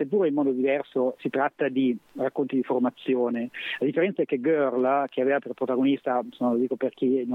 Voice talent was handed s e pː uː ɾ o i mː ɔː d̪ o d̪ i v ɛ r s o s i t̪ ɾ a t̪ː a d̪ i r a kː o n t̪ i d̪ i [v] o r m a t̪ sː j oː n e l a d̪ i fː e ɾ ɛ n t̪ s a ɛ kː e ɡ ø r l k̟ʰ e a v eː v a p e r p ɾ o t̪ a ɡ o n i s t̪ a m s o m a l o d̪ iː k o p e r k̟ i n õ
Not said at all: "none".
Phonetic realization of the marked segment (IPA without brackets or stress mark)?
f